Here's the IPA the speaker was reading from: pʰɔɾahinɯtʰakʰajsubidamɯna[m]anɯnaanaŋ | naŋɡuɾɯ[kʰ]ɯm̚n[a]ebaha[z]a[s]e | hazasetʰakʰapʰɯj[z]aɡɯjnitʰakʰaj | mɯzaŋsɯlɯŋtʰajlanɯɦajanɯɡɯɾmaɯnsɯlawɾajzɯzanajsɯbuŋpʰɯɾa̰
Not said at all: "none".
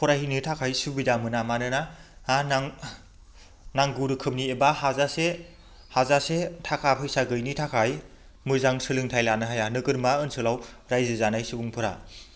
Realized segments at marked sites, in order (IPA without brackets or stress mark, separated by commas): m, kʰ, i, z, s, s